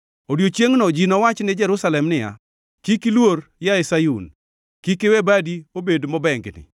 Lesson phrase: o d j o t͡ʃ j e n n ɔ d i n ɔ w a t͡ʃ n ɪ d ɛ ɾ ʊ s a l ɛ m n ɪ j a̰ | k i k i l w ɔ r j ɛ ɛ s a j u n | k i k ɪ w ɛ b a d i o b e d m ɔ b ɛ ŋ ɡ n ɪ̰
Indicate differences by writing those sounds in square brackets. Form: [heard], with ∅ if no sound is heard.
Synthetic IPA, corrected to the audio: o d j o t͡ʃ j e [ŋ] n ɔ [d͡ʒ] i n ɔ w a t͡ʃ n ɪ [d͡ʒ] ɛ ɾ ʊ s a l ɛ m n ɪ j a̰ | k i k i l w [o] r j [a] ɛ s a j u n | k i k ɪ w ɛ b a d i o b e d m ɔ b ɛ ŋ ɡ n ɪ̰

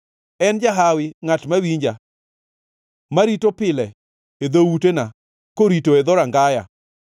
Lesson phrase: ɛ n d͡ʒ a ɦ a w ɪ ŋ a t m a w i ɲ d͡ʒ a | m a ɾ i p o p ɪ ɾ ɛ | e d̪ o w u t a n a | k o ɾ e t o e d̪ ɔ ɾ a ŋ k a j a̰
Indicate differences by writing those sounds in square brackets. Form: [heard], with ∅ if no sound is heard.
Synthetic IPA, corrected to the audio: ɛ n d͡ʒ a ɦ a w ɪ ŋ a t m a w i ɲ d͡ʒ a | m a ɾ i [t] o p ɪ [l] ɛ | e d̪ o w u t [e] n a | k o ɾ [i] t o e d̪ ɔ ɾ a ŋ [ɡ] a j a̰

